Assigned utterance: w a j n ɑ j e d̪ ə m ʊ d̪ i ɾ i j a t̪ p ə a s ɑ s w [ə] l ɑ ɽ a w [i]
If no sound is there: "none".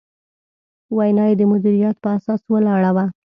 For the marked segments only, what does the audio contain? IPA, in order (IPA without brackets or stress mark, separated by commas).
ə, a